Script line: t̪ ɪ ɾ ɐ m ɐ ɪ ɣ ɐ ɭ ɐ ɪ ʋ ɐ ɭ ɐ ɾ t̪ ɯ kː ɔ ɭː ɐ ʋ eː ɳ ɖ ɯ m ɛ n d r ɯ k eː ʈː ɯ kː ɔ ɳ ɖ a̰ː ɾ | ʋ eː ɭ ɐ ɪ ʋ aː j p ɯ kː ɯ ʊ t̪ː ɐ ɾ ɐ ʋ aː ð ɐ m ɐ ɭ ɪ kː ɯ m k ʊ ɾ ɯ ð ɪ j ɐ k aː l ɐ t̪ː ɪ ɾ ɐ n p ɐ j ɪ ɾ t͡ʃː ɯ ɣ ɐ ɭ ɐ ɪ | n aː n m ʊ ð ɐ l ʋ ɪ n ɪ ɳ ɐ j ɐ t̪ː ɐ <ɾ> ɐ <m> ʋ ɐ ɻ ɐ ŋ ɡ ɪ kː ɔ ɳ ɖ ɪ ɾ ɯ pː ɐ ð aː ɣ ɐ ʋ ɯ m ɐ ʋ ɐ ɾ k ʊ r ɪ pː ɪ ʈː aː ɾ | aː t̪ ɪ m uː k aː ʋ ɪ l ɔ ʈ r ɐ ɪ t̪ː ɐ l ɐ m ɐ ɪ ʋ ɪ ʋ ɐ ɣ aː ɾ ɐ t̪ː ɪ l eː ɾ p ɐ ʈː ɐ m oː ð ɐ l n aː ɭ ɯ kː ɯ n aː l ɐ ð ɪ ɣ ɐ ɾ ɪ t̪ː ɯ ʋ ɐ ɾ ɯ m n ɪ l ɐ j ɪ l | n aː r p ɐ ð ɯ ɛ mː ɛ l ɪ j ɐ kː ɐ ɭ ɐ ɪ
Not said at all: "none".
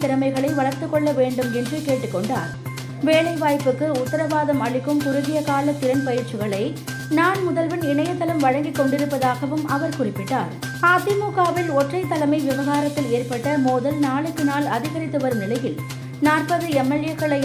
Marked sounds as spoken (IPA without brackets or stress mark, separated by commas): l, m